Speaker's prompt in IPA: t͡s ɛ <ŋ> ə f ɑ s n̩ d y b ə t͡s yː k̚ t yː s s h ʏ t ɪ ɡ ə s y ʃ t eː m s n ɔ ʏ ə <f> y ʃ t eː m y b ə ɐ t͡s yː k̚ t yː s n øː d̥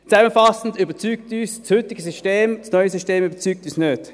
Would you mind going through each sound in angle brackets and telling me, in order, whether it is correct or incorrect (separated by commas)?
incorrect, incorrect